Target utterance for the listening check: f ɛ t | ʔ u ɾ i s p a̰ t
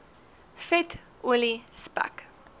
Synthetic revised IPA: f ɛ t | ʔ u l i s p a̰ k